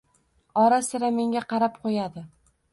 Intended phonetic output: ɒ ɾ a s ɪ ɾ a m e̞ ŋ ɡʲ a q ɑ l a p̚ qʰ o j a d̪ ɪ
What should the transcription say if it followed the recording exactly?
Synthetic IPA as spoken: ɒ ɾ a s ɪ ɾ a m e̞ ŋ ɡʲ a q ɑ ɾ a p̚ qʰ o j a d̪ ɪ